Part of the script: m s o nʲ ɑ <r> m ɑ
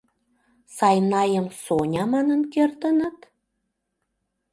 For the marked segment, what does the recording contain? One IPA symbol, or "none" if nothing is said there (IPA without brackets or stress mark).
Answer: none